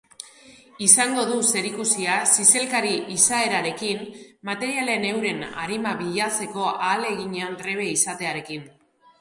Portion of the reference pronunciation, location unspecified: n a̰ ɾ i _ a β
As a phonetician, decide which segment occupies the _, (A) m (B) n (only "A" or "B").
A